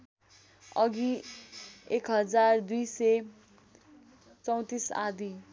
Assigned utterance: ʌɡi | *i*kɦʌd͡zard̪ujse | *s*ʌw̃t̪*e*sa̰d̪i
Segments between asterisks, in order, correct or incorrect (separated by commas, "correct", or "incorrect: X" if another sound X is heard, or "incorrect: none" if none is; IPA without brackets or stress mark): incorrect: e, incorrect: t͡s, incorrect: i